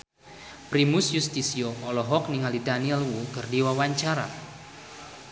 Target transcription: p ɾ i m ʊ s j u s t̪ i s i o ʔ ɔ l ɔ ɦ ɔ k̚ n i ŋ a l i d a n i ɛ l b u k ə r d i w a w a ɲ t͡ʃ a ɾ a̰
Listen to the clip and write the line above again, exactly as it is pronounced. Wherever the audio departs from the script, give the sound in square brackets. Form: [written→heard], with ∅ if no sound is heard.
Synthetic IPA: p ɾ i m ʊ s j u s t̪ i s i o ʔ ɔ l ɔ ɦ ɔ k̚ n i ŋ a l i d a n i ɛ l [b→w] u k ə r d i w a w a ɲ t͡ʃ a ɾ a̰